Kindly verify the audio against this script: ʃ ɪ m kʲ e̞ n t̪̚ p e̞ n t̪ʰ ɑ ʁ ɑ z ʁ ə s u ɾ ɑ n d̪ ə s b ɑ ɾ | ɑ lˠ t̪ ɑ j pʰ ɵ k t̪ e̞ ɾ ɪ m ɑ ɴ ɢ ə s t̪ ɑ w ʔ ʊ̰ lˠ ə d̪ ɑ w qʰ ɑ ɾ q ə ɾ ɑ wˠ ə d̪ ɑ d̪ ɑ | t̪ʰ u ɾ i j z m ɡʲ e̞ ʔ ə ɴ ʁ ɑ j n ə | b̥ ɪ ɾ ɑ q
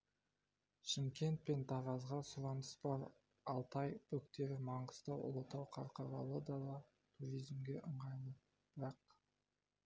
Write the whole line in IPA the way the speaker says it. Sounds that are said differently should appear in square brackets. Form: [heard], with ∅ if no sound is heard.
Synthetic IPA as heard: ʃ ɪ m kʲ e̞ n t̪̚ p e̞ n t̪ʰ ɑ ʁ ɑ z ʁ [ɑ] s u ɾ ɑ n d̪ ə s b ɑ ɾ | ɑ lˠ t̪ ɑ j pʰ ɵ k t̪ e̞ ɾ ɪ m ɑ ɴ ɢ ə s t̪ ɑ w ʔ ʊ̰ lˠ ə [t̪] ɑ w qʰ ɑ ɾ q [ɑ] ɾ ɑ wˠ ə d̪ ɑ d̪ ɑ | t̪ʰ u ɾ i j z m ɡʲ e̞ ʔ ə ɴ ʁ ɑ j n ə | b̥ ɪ ɾ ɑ q